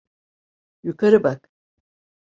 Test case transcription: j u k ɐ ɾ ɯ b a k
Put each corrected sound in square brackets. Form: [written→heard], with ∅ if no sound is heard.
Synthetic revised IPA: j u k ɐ ɾ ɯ b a k